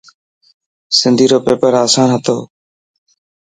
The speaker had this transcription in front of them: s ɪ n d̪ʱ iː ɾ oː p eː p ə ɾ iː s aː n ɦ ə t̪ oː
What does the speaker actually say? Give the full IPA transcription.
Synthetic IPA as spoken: s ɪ n d̪ʱ iː ɾ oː p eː p ə ɾ aː s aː n ɦ ə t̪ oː